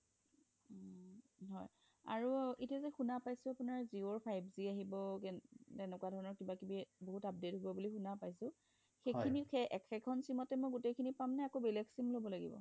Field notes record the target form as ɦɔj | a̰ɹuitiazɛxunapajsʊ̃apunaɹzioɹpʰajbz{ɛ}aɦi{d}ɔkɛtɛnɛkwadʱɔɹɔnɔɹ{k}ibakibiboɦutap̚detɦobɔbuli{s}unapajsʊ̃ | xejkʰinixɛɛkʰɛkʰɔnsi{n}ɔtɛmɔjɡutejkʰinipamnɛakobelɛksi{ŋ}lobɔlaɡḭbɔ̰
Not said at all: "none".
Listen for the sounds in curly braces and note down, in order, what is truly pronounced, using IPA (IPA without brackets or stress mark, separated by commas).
i, b, k, x, m, m